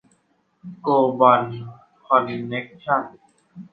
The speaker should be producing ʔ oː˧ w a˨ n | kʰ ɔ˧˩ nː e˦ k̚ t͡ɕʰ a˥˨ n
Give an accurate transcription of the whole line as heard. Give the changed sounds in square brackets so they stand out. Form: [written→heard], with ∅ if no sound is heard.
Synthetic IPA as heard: [ʔ→k] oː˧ [w→b] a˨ n | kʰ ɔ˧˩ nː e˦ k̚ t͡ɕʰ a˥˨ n